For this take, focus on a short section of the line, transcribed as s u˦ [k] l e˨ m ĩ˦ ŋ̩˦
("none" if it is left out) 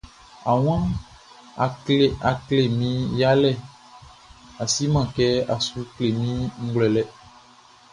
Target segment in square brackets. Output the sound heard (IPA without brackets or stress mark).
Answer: k